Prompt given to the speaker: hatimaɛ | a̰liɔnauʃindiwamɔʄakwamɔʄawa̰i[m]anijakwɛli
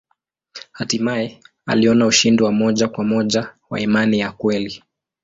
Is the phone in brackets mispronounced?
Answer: no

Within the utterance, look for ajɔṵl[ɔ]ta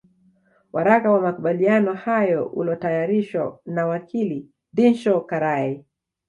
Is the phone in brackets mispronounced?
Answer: no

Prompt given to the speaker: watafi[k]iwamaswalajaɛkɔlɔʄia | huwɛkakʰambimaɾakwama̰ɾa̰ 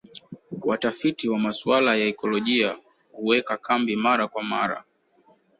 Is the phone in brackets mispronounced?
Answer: yes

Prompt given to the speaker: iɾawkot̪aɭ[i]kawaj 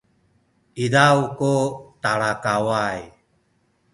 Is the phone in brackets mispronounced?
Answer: yes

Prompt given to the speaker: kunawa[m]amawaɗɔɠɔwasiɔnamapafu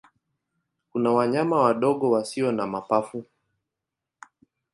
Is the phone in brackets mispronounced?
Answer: yes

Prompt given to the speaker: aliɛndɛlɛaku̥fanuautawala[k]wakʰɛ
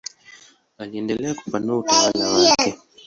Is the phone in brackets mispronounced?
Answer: yes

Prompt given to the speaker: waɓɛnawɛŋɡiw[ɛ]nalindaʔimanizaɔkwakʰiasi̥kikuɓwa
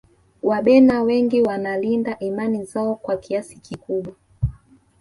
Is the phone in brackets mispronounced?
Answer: yes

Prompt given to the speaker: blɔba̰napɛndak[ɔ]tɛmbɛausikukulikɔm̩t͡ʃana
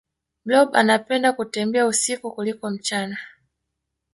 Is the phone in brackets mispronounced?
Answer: yes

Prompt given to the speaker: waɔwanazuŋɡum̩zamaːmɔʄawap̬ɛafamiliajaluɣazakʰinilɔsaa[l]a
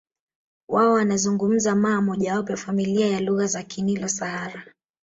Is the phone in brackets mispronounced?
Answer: yes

